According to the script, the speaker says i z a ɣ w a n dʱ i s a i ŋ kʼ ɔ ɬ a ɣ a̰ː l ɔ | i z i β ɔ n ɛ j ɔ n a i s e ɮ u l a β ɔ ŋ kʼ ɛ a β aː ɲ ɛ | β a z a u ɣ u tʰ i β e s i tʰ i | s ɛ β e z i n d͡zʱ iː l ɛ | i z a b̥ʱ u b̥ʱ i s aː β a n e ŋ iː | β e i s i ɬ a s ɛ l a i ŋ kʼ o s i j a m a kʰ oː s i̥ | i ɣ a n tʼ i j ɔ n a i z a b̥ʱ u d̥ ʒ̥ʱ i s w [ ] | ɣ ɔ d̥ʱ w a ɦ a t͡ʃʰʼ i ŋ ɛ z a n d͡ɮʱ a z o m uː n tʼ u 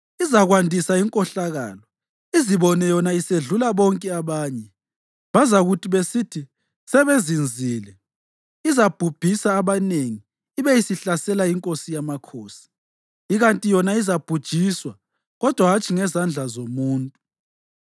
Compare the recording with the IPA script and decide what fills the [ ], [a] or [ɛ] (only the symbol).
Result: a